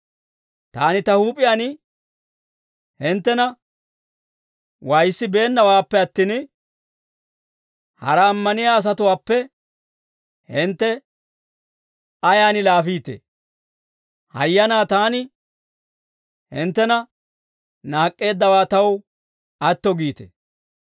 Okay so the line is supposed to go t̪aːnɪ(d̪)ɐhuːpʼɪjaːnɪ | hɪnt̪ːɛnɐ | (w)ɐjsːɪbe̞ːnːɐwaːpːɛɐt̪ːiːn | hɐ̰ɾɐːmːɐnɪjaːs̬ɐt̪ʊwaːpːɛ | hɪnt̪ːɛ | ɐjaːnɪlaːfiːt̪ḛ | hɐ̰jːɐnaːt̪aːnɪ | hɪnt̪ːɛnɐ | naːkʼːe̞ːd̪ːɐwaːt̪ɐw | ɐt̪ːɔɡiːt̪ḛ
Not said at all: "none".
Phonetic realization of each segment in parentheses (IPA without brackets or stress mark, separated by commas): t̪, w